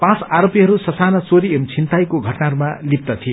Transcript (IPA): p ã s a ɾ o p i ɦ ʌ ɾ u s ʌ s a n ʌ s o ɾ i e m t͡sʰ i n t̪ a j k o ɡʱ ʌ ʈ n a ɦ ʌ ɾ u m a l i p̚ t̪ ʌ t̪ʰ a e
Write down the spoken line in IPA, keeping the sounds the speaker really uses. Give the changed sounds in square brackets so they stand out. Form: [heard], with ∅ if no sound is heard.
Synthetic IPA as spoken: p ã [t͡s] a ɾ o p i ɦ ʌ ɾ u s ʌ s a n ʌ [t͡s] o ɾ i e m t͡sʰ i n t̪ a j k o ɡʱ ʌ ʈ n a ɦ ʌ ɾ u m a l i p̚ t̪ ʌ t̪ʰ [i] e